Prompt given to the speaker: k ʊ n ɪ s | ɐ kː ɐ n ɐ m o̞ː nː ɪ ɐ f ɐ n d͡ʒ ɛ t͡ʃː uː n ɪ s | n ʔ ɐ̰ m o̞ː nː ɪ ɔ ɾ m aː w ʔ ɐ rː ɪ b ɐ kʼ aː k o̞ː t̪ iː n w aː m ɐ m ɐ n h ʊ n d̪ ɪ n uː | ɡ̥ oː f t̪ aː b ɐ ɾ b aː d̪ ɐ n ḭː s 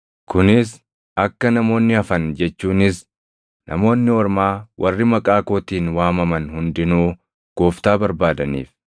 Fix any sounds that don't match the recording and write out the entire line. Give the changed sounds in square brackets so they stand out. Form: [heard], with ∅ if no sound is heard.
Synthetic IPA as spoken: k ʊ n ɪ s | ɐ kː ɐ n ɐ m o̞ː nː ɪ ɐ f ɐ n d͡ʒ ɛ t͡ʃː uː n ɪ s | n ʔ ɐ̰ m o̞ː nː ɪ ɔ ɾ m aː w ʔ ɐ rː ɪ [m] ɐ kʼ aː k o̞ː t̪ iː n w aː m ɐ m ɐ n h ʊ n d̪ ɪ n uː | ɡ̥ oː f t̪ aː b ɐ ɾ b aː d̪ ɐ n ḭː [f]